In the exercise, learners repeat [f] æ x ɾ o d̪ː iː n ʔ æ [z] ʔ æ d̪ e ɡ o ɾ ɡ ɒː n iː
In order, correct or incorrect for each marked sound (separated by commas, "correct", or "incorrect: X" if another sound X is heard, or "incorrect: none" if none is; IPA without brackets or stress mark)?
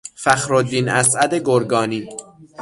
correct, incorrect: s